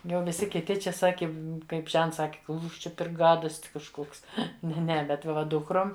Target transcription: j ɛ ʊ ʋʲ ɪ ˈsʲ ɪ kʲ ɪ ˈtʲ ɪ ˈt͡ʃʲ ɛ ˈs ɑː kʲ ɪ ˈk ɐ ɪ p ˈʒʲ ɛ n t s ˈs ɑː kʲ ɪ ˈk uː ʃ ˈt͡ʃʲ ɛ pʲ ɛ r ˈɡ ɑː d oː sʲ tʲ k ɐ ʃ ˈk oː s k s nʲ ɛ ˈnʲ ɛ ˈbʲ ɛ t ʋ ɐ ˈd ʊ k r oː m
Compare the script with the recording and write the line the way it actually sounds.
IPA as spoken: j ɛ ʊ ʋʲ ɪ ˈsʲ ɪ kʲ ɪ ˈtʲ ɪ ˈt͡ʃʲ ɛ ˈs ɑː kʲ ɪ ˈk ɐ ɪ p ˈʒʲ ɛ n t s ˈs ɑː kʲ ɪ ˈk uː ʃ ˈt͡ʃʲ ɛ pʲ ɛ r ˈɡ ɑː d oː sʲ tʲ k ɐ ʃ ˈk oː k s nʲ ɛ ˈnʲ ɛ ˈbʲ ɛ t ʋ ɐ ˈd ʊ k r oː m